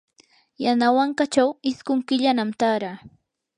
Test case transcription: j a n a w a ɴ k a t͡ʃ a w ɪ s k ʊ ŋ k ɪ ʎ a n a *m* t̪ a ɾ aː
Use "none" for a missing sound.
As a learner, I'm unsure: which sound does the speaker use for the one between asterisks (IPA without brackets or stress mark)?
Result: m